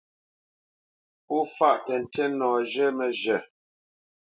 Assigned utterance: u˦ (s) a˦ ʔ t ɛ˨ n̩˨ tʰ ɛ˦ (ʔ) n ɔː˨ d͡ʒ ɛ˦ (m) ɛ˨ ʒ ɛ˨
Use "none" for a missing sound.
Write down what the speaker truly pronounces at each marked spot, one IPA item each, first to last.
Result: f, none, m

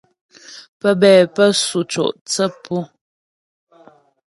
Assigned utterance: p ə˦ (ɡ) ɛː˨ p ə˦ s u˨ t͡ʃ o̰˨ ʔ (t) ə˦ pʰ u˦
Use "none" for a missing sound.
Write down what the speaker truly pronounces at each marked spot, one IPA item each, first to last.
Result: b, t͡s

